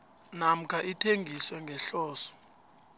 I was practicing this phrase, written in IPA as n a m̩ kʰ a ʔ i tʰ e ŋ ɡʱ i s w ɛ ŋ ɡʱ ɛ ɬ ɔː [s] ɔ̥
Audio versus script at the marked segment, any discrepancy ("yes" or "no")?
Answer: no